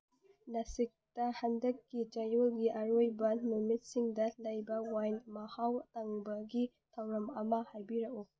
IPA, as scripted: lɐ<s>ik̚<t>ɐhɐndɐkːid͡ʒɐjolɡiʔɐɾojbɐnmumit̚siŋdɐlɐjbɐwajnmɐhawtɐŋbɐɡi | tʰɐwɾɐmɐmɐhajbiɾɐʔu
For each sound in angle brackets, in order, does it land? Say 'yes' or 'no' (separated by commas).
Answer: yes, yes